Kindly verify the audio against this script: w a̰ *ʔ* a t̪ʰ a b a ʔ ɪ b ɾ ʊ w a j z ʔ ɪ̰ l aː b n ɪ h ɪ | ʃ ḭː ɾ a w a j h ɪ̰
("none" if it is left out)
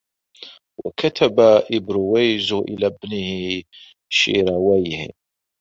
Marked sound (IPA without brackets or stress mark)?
k